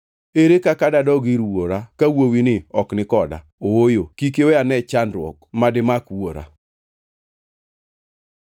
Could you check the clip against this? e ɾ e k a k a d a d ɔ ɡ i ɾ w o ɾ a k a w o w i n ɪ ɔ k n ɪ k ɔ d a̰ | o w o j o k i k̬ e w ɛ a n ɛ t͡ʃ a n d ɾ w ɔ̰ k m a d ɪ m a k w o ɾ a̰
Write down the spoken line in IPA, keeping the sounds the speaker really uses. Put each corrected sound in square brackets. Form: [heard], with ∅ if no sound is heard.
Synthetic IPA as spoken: e ɾ e k a k a d a d ɔ ɡ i ɾ w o ɾ a k a w o w i n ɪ ɔ k n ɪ k ɔ d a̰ | o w o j o k i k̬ e w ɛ a n ɛ t͡ʃ a n d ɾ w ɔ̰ k m a d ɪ m a k w o ɾ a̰